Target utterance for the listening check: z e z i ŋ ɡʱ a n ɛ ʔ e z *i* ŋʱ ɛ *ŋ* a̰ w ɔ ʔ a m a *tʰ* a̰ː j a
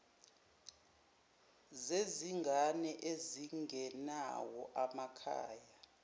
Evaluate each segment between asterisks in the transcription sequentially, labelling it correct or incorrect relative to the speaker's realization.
correct, incorrect, incorrect

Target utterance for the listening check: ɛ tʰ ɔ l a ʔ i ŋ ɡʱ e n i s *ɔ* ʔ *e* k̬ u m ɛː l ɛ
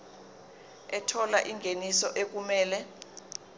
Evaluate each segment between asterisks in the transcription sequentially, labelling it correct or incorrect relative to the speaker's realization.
correct, correct

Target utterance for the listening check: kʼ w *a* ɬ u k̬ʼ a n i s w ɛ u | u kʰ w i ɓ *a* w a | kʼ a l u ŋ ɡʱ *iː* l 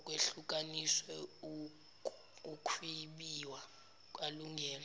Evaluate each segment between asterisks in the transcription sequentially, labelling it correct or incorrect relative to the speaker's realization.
incorrect, incorrect, incorrect

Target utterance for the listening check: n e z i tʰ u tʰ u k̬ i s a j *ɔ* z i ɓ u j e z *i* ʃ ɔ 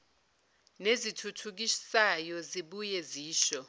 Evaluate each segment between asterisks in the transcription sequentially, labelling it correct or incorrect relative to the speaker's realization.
correct, incorrect

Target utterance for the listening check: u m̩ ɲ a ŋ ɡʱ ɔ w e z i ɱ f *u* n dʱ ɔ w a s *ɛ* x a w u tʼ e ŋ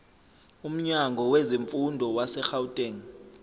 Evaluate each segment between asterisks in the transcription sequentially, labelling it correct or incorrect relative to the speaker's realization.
correct, correct

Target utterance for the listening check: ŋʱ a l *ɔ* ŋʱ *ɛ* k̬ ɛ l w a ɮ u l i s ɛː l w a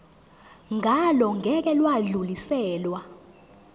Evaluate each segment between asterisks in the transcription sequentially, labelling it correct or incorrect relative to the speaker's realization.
correct, correct

